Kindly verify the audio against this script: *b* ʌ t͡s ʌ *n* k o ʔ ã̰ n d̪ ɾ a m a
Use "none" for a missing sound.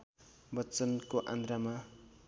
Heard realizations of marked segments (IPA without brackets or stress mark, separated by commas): b, n